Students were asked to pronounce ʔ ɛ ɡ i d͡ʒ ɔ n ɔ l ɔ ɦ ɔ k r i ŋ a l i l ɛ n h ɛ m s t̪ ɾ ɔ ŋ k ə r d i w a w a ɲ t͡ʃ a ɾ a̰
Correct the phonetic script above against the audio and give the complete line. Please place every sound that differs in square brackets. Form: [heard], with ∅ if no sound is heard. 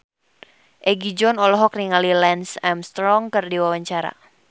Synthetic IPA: ʔ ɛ ɡ i d͡ʒ ɔ n ɔ l ɔ ɦ ɔ k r i ŋ a l i l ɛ n [s] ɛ m s t̪ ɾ ɔ ŋ k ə r d i w a w a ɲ t͡ʃ a ɾ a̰